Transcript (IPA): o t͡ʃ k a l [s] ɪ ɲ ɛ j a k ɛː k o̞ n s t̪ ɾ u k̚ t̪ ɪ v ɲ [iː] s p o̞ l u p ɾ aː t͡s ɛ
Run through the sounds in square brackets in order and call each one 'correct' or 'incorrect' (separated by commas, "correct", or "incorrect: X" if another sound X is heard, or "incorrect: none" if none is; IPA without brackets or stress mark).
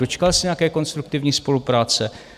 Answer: correct, correct